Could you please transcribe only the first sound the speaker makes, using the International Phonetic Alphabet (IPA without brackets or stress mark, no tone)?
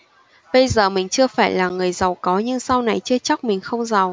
ɓ